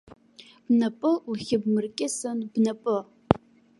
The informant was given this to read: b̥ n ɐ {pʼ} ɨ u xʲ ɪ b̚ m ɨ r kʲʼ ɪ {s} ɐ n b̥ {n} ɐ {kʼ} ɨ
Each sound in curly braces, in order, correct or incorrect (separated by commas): correct, correct, correct, incorrect